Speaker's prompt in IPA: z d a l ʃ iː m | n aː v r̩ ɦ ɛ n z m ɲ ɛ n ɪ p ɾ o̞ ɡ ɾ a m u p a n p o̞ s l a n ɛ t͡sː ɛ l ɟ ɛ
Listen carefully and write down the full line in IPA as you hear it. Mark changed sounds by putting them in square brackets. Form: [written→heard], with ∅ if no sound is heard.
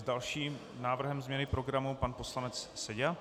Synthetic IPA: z d a l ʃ iː m | n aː v r̩ ɦ ɛ [n→m] z m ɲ ɛ n ɪ p ɾ o̞ ɡ ɾ a m u p a n p o̞ s l a n ɛ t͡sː ɛ [l→∅] ɟ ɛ